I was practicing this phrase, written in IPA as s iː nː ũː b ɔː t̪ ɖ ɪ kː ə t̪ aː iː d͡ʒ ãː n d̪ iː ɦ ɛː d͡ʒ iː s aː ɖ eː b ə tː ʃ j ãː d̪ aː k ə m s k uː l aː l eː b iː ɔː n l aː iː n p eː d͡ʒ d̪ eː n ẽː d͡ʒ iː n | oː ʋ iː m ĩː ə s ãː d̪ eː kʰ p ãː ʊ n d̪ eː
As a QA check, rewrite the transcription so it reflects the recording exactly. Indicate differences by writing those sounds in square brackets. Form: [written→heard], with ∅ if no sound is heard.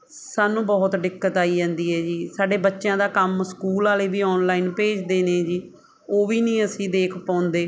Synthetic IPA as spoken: s [iː→aː] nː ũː b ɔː t̪ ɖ ɪ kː ə t̪ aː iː d͡ʒ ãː n d̪ iː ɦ ɛː d͡ʒ iː s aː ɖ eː b ə tː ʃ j ãː d̪ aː k ə m s k uː l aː l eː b iː ɔː n l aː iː n p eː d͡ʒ d̪ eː n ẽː d͡ʒ iː [n→∅] | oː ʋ iː [m→n] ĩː ə s [ãː→ĩː] d̪ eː kʰ p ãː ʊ n d̪ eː